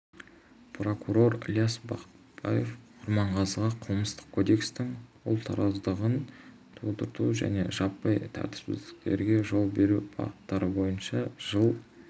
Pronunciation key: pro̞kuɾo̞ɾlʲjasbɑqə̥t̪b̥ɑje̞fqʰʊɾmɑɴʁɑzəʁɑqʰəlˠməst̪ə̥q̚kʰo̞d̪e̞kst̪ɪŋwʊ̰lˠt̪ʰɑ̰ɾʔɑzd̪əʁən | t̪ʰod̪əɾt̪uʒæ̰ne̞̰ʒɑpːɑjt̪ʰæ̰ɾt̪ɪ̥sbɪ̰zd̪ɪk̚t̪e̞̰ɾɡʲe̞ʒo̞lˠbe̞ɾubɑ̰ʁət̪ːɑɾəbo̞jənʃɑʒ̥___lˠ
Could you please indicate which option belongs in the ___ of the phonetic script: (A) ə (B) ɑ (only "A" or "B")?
A